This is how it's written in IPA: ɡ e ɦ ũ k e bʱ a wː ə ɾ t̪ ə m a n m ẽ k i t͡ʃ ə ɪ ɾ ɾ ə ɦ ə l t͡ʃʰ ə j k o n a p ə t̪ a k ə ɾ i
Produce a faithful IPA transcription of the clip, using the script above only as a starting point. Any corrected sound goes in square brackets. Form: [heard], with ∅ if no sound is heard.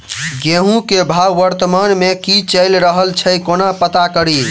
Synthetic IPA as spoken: ɡ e ɦ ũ k e bʱ a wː ə ɾ t̪ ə m a n m [e] k i t͡ʃ ə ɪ [l] ɾ ə ɦ ə l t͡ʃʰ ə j k o n a p ə t̪ a k ə ɾ i